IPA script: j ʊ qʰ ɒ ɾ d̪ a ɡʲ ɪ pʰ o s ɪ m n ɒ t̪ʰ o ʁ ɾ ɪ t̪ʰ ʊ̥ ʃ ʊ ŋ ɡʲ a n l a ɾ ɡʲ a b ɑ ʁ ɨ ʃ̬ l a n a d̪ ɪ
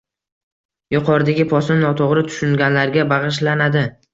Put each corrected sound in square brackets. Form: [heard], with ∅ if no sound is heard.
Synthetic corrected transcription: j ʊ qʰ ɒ ɾ d̪ a ɡʲ ɪ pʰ [ɒ] s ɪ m n ɒ t̪ʰ o ʁ ɾ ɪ t̪ʰ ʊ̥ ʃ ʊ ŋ ɡʲ a n l a ɾ ɡʲ a b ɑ ʁ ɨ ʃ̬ l a n a d̪ ɪ